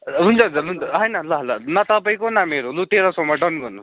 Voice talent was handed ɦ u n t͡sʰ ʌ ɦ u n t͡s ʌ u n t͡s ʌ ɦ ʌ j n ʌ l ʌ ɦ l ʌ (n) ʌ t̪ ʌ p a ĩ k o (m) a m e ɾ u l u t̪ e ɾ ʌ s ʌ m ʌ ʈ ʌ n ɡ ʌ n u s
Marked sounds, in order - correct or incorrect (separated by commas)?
correct, incorrect